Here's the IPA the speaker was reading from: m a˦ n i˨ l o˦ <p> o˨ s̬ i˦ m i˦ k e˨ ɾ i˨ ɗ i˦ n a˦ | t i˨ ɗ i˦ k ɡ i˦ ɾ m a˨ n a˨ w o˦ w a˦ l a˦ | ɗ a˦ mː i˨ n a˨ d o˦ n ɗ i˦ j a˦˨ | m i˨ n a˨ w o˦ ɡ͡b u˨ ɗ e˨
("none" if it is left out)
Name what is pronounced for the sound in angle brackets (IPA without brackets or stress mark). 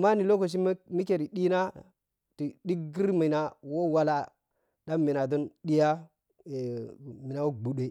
k